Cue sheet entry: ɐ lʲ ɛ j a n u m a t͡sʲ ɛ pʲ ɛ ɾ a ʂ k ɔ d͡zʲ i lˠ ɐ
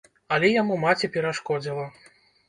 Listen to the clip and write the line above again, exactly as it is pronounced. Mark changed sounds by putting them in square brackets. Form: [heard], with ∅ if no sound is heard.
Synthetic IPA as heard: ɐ lʲ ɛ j a [m] u m a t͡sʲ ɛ pʲ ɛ ɾ a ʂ k ɔ d͡zʲ i lˠ ɐ